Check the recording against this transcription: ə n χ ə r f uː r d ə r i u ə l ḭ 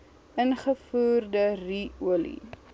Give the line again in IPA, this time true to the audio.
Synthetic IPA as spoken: ə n χ ə f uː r d ə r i u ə l ḭ